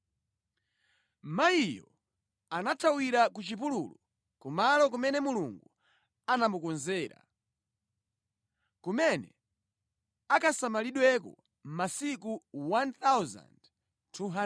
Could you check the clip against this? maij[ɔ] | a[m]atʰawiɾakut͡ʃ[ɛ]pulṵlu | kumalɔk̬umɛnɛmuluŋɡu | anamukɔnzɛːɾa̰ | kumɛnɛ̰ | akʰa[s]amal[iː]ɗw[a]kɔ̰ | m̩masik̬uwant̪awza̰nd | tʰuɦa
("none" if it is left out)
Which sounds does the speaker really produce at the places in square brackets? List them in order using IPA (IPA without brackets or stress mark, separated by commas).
ɔ, n, i, s, i, ɛ